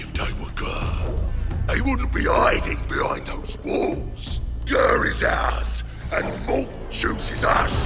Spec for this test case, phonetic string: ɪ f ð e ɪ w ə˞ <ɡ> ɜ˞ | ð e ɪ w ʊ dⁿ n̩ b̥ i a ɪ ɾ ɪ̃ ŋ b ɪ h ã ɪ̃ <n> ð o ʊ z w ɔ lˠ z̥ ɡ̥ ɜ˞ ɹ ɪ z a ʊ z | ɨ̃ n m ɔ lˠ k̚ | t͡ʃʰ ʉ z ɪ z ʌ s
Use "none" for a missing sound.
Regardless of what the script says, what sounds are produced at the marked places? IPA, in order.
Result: ɡ, n

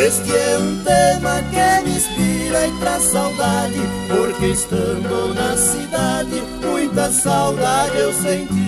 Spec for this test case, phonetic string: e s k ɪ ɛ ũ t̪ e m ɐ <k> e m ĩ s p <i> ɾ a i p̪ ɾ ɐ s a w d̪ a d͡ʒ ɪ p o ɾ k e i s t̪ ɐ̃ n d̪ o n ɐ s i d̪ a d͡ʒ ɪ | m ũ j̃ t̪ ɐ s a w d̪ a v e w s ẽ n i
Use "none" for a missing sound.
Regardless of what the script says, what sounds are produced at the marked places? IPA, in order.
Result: k, i

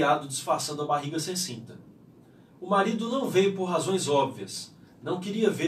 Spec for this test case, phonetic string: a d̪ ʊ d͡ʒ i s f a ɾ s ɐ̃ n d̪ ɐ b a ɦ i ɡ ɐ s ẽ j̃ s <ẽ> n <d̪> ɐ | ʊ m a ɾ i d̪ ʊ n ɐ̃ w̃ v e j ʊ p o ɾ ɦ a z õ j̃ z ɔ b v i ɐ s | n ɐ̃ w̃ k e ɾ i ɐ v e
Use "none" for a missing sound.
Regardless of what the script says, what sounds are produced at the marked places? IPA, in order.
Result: ĩ, t̪

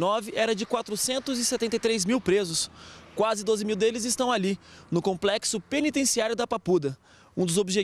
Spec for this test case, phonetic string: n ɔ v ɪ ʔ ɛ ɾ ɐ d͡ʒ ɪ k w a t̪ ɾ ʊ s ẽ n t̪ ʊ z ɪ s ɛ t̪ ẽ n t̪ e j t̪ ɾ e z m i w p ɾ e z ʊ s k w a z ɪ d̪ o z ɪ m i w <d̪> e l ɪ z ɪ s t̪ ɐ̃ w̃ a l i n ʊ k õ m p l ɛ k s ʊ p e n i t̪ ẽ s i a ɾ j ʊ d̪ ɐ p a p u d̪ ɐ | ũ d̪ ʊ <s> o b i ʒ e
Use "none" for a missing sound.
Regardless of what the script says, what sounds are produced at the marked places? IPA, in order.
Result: d̪, z

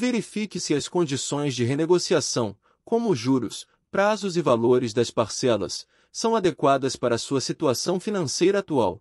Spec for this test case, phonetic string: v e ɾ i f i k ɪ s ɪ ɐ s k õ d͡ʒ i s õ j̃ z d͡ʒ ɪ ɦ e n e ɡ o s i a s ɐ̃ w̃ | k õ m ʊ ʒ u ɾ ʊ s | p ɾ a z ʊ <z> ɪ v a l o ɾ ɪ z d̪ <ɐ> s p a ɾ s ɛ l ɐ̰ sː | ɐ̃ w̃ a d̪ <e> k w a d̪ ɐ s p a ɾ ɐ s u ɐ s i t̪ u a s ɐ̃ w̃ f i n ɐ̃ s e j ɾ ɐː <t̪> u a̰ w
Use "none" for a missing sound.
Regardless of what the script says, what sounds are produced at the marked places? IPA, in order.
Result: z, ɐ, e, t̪

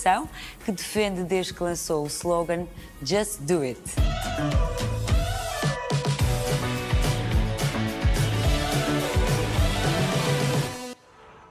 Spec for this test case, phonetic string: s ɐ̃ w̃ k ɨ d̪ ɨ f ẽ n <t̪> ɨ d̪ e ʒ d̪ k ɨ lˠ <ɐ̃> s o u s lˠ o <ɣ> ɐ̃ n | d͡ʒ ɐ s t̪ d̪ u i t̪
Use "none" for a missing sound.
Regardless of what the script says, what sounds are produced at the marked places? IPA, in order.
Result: d̪, ɐ̃, ɣ

